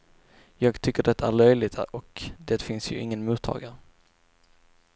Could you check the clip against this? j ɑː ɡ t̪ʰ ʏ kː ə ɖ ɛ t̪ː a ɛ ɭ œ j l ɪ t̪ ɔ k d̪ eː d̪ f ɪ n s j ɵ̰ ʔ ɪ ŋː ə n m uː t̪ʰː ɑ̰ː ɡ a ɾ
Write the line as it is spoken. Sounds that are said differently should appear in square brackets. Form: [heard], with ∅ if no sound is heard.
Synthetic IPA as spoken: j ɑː ɡ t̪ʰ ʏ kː ə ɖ ɛ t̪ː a [æ] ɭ œ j l ɪ t̪ ɔ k d̪ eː [t̪] f ɪ n s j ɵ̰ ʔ ɪ ŋː ə n m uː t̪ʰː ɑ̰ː ɡ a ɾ

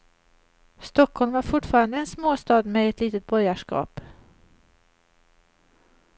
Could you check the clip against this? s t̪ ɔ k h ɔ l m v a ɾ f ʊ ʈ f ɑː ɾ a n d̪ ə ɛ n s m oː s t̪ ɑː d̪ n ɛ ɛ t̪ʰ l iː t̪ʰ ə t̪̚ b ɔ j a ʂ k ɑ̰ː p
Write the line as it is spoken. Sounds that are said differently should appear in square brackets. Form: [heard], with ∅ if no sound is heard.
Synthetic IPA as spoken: s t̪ ɔ k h ɔ l m v a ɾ f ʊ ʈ f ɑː ɾ a n d̪ ə ɛ n s m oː s t̪ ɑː d̪ [m] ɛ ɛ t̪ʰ l iː [t̪] ə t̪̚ b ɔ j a ʂ k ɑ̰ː p

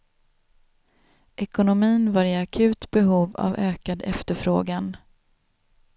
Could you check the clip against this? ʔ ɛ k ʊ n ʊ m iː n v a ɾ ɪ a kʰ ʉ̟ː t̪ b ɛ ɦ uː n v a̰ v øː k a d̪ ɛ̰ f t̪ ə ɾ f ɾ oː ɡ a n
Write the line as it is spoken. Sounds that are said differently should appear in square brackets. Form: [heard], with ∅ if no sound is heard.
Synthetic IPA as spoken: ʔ ɛ k ʊ n ʊ m iː n v a ɾ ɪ a kʰ ʉ̟ː t̪ b ɛ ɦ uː [∅] v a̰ v øː k a d̪ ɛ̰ f t̪ ə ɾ f ɾ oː ɡ a n

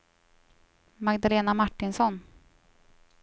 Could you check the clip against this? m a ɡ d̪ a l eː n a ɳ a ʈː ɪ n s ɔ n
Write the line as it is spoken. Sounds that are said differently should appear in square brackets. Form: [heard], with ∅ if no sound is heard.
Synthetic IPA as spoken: m a ɡ d̪ a l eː n a [m] a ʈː ɪ n s ɔ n

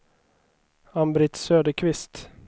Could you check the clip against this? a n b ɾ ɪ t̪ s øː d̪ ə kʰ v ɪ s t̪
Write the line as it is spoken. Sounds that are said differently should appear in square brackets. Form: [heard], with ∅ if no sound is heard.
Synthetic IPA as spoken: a [m] b ɾ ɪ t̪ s øː d̪ ə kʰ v ɪ s t̪

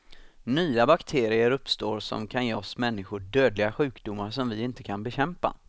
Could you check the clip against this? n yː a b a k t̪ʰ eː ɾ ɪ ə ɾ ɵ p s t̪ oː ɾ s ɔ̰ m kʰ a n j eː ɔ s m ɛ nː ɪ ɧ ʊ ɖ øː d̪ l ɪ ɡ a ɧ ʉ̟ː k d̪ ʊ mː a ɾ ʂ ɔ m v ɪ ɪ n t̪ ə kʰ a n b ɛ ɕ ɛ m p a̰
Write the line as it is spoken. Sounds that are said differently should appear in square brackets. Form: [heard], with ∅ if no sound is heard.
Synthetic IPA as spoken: n yː a b a k t̪ʰ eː ɾ ɪ ə ɾ ɵ p s t̪ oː ɾ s ɔ̰ m kʰ a n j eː ɔ s m ɛ nː ɪ ɧ ʊ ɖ øː d̪ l ɪ ɡ a ɧ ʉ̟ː k d̪ ʊ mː a ɾ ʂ ɔ m v ɪ ɪ n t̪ ə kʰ a n b ɛ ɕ ɛ m p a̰

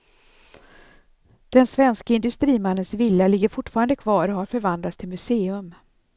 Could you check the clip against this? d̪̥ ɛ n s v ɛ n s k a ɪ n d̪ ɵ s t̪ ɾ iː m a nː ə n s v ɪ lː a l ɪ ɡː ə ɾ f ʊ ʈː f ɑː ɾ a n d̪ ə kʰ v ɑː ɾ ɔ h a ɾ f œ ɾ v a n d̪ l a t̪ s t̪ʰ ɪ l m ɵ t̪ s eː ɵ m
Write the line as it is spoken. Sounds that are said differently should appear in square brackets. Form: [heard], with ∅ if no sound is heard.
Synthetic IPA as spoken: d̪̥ ɛ n s v ɛ n s k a ɪ n d̪ ɵ s t̪ ɾ iː m a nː ə n s v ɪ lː a l ɪ ɡː ə ɾ f ʊ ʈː f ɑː ɾ a n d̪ ə kʰ v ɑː ɾ ɔ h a ɾ f œ ɾ v a n d̪ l a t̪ s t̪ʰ ɪ l m ɵ [∅] s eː ɵ m

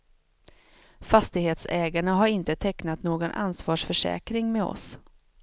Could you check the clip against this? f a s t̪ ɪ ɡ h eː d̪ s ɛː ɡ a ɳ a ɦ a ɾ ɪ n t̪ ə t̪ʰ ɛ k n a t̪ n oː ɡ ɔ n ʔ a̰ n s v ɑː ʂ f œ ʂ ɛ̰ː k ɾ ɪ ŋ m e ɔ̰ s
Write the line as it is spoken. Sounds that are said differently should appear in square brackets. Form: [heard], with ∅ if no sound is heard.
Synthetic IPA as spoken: f a s t̪ ɪ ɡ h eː [t̪] s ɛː ɡ a ɳ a ɦ a ɾ ɪ n t̪ ə t̪ʰ ɛ k n a t̪ n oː ɡ ɔ n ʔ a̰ n s v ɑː ʂ f œ ʂ ɛ̰ː k ɾ ɪ ŋ m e ɔ̰ s

